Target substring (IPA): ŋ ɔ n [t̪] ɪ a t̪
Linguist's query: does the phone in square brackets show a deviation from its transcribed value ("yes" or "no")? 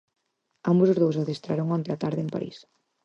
no